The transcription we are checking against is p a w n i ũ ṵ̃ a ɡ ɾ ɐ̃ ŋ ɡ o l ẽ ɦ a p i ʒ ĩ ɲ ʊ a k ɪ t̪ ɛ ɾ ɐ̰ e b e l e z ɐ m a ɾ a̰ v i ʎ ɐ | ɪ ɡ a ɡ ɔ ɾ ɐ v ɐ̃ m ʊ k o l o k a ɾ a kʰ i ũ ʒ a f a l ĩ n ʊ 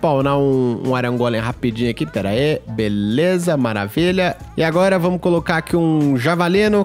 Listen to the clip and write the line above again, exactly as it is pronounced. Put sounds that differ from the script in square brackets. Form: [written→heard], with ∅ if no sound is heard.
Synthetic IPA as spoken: p a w n [i→a] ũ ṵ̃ a [ɡ→∅] ɾ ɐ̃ ŋ ɡ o l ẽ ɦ a p i [ʒ→d͡ʒ] ĩ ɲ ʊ a k [ɪ→i] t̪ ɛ ɾ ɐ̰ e b e l e z ɐ m a ɾ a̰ v i ʎ ɐ | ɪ [ɡ→∅] a ɡ ɔ ɾ ɐ v ɐ̃ m ʊ k o l o k a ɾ a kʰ i ũ ʒ a [f→v] a l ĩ n ʊ